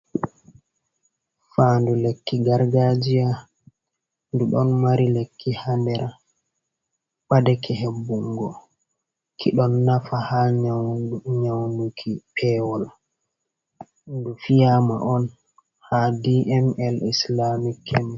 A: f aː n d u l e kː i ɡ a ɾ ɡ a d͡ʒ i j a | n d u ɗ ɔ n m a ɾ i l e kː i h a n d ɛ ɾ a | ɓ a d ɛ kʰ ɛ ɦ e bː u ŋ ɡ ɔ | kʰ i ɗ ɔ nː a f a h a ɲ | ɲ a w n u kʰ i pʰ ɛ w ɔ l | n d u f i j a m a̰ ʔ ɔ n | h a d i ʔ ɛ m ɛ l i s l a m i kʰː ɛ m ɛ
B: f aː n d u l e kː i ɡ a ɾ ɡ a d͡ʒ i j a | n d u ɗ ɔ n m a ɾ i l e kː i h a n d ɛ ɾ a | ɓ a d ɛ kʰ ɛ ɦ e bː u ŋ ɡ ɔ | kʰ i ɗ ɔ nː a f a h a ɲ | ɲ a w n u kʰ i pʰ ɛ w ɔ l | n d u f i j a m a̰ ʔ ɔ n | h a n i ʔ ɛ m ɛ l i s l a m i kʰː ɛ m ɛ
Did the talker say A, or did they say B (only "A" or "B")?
A